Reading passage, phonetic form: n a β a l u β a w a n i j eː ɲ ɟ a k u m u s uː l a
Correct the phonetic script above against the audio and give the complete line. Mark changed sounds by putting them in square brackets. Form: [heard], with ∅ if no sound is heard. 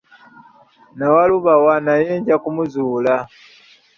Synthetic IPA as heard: n a [w] a l u β a w a n [a] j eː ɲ ɟ a k u m u [z] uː l a